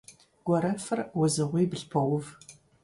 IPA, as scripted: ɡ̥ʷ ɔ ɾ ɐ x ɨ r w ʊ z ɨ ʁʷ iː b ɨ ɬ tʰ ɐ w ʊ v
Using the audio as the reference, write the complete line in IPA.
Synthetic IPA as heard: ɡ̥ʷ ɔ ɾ ɐ f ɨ r w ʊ z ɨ ʁʷ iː b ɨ ɬ pʰ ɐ w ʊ v